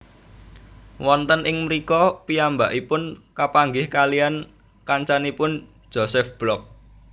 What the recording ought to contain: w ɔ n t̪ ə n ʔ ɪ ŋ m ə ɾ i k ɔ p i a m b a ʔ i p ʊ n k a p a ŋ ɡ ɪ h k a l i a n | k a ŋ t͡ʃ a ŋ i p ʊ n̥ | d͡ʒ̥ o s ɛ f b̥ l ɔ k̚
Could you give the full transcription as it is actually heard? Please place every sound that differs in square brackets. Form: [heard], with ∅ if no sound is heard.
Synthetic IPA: w ɔ n t̪ ə n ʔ ɪ ŋ m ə ɾ i k ɔ p i a m b a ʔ i p ʊ n k a p a ŋ ɡ ɪ h k a l i a n | k a [ɲ] t͡ʃ a [n] i p ʊ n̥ | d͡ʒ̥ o s ɛ f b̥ l ɔ k̚